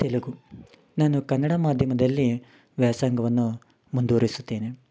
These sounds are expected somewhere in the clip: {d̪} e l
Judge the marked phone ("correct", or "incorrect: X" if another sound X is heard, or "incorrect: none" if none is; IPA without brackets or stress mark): incorrect: t̪